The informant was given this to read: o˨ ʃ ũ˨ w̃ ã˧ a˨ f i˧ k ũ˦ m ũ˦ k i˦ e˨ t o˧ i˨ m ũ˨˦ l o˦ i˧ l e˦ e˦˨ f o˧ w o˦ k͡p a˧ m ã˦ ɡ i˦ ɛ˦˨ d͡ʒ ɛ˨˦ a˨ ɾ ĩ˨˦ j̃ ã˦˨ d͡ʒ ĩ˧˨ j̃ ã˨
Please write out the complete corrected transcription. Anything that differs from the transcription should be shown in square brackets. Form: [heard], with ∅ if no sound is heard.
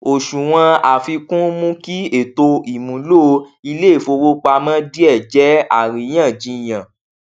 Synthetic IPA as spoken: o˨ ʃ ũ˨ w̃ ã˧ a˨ f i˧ k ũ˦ m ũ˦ k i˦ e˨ t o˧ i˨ m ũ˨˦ l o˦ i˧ l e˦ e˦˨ f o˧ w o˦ k͡p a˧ m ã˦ [d] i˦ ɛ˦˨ d͡ʒ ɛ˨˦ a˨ ɾ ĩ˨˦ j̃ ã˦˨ d͡ʒ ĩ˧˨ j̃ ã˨